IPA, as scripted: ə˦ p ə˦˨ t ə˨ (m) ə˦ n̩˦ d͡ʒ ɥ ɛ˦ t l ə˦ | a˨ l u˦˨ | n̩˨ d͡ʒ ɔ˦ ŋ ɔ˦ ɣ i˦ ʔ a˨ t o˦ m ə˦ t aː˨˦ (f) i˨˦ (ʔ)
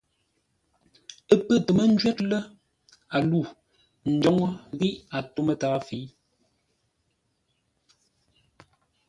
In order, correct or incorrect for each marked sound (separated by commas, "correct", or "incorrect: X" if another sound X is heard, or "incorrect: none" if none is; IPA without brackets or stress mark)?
correct, correct, incorrect: none